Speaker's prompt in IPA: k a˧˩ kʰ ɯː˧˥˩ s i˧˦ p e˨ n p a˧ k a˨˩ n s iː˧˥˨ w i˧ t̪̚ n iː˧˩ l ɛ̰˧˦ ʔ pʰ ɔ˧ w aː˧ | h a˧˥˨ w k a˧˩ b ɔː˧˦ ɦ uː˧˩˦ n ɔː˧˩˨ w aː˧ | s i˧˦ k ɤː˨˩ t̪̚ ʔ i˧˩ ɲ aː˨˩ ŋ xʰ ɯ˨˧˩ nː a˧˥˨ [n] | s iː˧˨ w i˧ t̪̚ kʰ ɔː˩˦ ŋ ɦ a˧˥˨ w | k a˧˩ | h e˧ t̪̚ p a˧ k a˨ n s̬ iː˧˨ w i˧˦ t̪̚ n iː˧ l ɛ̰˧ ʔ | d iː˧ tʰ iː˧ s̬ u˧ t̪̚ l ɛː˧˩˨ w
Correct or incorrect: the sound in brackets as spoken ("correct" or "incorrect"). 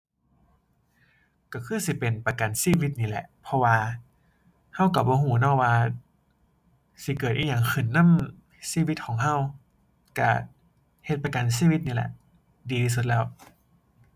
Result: incorrect